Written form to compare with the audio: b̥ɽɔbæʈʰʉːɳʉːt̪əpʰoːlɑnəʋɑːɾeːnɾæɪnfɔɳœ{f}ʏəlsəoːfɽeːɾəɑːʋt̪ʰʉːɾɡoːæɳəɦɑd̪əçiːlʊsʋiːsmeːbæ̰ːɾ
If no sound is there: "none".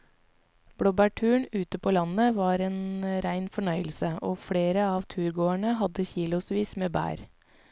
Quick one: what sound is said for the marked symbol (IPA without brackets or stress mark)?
none